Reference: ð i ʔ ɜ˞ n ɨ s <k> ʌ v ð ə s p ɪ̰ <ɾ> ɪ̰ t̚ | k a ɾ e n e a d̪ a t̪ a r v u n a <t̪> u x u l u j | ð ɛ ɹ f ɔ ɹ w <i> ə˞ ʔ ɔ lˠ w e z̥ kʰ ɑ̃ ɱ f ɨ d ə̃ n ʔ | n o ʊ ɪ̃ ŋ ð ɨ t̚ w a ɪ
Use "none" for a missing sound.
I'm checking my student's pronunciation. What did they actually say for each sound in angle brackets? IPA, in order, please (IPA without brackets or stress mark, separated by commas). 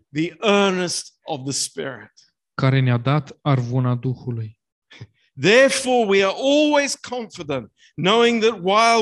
t, ɹ, d̪, i